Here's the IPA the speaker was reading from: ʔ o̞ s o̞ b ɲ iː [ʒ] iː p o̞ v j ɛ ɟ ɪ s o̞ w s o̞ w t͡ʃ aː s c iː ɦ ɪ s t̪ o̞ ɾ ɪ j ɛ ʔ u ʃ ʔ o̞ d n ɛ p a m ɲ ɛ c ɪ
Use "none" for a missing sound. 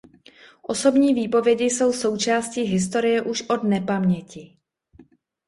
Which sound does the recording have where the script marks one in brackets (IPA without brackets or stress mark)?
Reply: v